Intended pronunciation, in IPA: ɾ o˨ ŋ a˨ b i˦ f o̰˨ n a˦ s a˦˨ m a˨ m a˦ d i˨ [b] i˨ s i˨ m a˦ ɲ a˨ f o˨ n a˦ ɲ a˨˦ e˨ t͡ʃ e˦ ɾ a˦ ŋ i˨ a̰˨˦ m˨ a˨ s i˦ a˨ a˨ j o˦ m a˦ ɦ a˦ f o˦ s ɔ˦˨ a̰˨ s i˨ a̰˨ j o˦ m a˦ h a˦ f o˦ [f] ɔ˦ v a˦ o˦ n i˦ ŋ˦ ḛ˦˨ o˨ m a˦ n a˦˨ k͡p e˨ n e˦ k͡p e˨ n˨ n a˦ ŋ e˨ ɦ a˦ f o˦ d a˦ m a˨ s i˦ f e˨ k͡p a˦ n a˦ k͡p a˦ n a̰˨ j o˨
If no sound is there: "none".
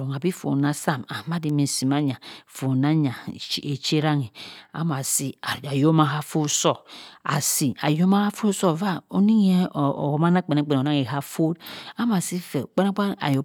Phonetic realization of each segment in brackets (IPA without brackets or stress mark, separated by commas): m, s